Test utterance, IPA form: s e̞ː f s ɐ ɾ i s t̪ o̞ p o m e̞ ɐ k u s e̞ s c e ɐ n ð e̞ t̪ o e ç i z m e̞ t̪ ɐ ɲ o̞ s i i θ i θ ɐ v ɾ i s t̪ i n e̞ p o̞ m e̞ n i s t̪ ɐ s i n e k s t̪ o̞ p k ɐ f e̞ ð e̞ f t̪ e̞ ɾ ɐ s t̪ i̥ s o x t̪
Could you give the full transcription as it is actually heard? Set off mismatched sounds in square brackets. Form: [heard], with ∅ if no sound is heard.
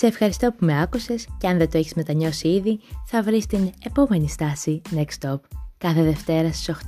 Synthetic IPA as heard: s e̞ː f [x] ɐ ɾ i s t̪ o̞ p [u] m e̞ ɐ k u s e̞ s c e ɐ n ð e̞ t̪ o e ç i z m e̞ t̪ ɐ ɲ o̞ s i i [ð] i θ ɐ v ɾ i s t̪ i n e̞ p o̞ m e̞ n i s t̪ ɐ s i n e k s t̪ o̞ p k ɐ [θ] e̞ ð e̞ f t̪ e̞ ɾ ɐ s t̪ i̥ s o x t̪